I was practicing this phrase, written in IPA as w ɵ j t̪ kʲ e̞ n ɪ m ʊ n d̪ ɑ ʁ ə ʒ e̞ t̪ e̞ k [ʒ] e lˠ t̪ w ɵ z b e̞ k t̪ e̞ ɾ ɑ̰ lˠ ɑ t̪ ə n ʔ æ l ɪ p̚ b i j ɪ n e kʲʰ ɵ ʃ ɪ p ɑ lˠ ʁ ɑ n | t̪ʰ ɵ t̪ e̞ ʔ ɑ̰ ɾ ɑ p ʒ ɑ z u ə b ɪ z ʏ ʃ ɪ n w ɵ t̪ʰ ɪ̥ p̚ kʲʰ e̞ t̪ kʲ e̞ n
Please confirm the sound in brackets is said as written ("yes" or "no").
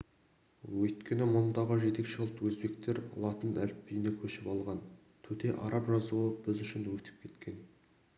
no